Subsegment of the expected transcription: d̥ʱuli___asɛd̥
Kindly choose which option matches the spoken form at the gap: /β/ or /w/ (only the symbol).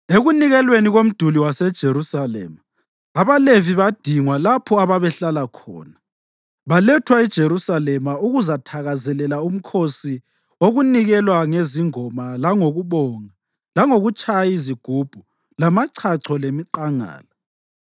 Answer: w